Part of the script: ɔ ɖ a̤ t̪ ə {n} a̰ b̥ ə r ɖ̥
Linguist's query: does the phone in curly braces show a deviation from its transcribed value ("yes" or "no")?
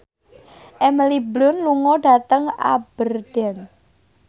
yes